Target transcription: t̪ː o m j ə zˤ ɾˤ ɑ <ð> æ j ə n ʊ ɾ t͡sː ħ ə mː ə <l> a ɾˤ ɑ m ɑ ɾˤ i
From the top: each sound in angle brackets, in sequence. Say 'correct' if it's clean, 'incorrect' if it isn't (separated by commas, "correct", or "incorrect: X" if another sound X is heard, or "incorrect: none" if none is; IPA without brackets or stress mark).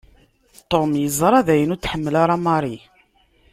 correct, correct